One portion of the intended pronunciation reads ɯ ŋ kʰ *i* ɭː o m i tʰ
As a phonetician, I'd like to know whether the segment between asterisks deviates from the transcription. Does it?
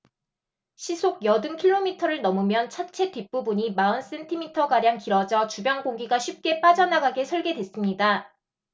no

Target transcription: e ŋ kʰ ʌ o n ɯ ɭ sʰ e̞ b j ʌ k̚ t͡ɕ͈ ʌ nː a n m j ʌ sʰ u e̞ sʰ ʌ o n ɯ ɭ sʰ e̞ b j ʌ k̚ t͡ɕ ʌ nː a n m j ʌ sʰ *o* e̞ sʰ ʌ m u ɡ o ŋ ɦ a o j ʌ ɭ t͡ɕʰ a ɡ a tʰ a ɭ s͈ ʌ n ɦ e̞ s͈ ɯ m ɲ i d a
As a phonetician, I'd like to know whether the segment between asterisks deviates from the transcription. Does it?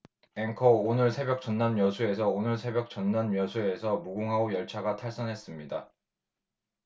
yes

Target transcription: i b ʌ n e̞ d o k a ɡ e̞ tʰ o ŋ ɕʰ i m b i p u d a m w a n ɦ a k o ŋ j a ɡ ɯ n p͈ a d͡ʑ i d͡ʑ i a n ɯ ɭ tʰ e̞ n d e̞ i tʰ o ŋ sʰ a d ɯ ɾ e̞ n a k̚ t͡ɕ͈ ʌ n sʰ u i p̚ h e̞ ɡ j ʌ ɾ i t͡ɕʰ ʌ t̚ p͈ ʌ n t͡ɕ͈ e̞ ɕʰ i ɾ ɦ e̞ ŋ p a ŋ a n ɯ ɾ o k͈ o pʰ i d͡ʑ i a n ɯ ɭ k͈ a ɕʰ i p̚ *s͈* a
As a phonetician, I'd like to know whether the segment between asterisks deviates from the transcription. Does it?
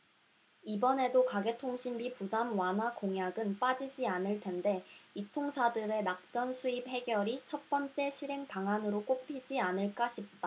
yes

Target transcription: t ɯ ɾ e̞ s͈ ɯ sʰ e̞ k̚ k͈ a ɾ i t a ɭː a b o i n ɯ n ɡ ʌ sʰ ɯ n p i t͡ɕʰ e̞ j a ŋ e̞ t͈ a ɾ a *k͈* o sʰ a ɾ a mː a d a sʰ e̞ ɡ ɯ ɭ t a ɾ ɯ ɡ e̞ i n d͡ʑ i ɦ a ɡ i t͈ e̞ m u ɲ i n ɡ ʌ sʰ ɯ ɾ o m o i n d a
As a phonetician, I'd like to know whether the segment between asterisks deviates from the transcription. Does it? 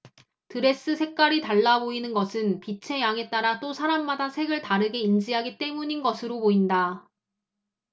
yes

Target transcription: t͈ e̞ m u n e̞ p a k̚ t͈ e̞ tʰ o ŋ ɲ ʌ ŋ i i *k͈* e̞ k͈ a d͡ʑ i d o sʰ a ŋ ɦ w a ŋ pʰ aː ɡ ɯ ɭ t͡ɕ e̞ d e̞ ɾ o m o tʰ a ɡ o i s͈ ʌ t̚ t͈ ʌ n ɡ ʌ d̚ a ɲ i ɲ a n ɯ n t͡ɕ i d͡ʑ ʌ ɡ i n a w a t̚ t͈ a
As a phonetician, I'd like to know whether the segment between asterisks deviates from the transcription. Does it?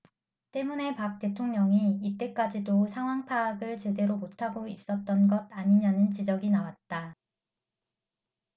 yes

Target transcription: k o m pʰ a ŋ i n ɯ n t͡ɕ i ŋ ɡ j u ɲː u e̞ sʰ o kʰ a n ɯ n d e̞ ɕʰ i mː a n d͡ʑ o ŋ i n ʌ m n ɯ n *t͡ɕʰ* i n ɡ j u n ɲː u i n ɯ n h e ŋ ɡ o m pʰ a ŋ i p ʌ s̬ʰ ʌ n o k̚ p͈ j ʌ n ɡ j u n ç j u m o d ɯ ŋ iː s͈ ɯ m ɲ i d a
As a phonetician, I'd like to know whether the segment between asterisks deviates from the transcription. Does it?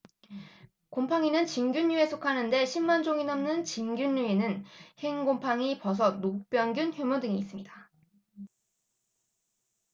yes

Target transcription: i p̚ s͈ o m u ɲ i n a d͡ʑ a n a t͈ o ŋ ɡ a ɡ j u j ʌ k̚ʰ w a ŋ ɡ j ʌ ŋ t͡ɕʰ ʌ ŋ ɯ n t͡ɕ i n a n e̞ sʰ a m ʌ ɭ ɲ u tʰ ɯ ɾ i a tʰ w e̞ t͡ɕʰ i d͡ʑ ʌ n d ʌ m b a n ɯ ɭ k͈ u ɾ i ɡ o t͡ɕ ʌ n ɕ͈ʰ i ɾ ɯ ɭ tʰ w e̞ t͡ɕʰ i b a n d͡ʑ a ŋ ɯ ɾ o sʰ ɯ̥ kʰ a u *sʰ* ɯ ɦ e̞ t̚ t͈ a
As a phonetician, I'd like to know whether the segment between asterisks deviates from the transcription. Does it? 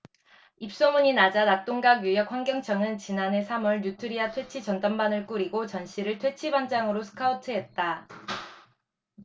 yes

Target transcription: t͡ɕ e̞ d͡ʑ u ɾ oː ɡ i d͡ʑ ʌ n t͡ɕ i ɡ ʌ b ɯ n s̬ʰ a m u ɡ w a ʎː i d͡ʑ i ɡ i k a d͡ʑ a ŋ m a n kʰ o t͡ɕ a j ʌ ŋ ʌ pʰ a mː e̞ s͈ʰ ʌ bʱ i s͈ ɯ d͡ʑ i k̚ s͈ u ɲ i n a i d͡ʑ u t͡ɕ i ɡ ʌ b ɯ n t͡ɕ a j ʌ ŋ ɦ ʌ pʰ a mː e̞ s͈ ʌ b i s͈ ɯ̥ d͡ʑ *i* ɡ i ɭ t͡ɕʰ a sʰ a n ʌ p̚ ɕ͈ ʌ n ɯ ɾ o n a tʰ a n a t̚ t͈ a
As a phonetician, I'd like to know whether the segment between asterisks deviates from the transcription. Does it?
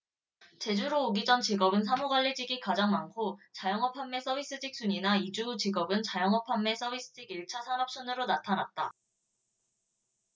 no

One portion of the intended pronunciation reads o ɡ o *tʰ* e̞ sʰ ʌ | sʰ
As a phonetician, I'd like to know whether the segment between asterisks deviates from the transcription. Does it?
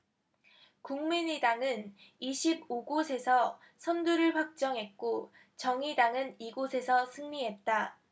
yes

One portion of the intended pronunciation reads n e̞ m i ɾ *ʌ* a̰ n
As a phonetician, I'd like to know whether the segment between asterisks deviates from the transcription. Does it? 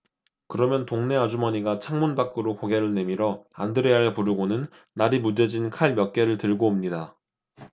no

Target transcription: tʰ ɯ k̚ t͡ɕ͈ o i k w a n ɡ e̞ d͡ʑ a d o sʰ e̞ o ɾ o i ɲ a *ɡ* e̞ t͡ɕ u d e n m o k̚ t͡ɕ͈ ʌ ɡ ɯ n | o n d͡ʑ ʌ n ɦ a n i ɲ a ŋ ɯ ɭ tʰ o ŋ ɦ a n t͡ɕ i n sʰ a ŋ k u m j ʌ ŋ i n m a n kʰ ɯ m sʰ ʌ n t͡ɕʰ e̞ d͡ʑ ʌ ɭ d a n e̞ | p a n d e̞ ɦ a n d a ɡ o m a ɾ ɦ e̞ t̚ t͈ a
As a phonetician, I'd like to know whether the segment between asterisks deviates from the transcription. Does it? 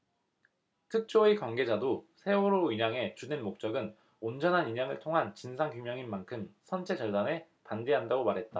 yes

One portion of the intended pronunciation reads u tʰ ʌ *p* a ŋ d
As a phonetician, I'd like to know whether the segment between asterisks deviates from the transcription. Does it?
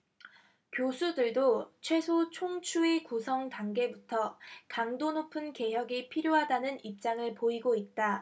yes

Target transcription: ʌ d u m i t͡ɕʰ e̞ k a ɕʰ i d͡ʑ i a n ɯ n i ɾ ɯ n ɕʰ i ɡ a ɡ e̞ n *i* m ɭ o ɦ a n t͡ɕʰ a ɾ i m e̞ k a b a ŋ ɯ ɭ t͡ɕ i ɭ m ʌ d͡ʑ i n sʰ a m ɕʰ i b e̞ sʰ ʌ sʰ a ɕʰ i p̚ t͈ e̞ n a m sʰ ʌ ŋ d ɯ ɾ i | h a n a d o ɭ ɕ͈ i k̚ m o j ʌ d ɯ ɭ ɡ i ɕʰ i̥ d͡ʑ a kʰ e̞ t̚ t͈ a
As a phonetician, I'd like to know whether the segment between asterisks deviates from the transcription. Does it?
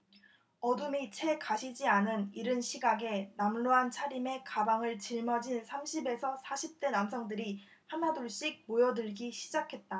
yes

